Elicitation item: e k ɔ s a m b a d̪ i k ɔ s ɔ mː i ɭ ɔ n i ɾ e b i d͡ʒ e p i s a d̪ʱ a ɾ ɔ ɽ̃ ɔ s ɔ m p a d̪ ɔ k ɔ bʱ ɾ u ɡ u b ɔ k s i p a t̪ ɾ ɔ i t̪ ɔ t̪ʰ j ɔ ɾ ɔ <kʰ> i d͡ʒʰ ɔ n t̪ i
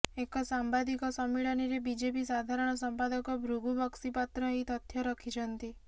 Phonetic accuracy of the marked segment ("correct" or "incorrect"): correct